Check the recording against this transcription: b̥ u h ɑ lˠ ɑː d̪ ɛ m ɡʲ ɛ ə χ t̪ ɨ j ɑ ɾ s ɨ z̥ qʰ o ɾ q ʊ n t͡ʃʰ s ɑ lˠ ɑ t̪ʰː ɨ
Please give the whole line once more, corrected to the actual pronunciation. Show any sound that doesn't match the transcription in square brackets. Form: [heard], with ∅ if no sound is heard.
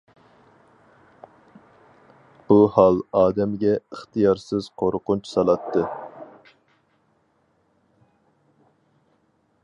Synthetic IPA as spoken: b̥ u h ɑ lˠ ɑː d̪ ɛ m ɡʲ ɛ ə χ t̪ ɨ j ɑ ɾ s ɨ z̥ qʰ o ɾ q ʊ n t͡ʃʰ s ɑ lˠ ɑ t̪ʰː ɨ